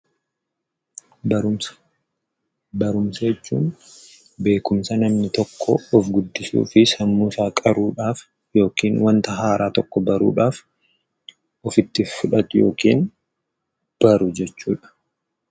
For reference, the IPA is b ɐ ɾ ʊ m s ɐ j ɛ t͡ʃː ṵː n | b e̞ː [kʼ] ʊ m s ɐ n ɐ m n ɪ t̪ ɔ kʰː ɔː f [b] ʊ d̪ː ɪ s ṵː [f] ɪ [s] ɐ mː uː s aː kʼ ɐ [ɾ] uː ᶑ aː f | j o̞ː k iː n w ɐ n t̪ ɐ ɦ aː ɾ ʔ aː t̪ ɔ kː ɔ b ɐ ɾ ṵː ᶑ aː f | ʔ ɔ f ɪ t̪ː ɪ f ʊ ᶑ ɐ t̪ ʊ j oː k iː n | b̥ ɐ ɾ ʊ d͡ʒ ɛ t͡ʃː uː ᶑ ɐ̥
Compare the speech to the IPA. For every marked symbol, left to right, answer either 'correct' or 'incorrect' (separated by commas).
incorrect, incorrect, correct, correct, correct